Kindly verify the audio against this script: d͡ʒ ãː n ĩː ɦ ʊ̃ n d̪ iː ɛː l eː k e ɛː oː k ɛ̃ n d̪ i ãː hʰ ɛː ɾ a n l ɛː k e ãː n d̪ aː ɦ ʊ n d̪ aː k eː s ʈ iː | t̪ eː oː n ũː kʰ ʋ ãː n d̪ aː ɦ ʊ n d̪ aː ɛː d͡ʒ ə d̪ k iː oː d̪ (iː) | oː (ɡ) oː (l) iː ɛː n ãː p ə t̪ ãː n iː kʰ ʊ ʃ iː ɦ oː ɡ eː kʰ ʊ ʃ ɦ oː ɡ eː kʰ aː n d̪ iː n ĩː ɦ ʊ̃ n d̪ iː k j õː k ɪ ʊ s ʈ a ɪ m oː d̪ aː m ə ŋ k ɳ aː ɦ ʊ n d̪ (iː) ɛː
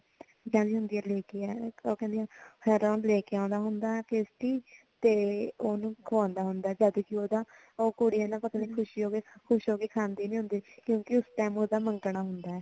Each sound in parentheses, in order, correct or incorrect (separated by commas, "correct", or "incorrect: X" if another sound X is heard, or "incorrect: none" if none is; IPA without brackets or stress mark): incorrect: aː, incorrect: k, incorrect: ɽ, incorrect: aː